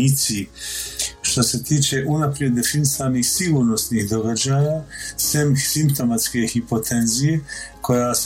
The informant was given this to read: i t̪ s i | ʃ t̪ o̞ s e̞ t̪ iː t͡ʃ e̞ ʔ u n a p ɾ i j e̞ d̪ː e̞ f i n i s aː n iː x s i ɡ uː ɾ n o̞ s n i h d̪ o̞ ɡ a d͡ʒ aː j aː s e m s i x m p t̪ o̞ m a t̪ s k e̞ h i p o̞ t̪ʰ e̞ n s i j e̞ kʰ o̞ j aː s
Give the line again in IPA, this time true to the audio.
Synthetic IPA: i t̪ s i | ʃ t̪ o̞ s e̞ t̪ iː t͡ʃ e̞ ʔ u n a p ɾ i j e̞ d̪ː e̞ f i n i s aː n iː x s i ɡ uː ɾ n o̞ s n i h d̪ o̞ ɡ a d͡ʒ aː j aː s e m s i m p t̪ o̞ m a t̪ s k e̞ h i p o̞ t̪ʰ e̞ n z i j e̞ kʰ o̞ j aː s